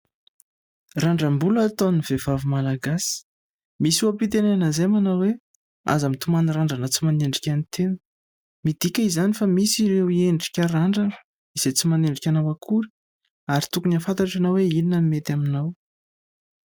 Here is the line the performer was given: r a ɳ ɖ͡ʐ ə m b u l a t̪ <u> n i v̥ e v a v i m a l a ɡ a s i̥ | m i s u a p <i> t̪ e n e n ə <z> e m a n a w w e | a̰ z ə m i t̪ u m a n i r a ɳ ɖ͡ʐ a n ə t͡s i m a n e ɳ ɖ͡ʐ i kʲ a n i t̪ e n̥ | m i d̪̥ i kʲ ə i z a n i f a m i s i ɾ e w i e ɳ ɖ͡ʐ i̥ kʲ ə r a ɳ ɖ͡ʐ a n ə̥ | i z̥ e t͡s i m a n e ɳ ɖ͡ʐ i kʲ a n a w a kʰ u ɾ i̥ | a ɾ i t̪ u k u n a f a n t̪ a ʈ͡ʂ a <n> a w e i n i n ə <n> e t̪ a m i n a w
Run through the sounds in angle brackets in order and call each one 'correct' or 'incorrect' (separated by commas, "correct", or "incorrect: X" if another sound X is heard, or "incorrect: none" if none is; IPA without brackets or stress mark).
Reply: incorrect: o, correct, correct, correct, incorrect: m